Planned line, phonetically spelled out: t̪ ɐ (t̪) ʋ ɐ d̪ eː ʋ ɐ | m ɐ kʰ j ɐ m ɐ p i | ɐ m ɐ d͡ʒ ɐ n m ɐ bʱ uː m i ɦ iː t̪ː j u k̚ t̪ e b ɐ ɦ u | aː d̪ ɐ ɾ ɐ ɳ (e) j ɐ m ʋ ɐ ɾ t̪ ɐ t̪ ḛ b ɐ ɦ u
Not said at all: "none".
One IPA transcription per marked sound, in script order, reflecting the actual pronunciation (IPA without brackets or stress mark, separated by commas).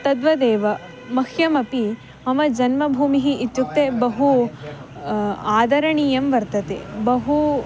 d̪, i